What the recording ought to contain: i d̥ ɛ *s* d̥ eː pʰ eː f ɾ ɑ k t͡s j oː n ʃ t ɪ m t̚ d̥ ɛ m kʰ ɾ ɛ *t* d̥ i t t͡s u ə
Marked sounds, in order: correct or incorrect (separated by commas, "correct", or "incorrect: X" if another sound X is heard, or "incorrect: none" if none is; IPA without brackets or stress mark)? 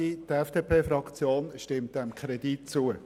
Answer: incorrect: f, incorrect: none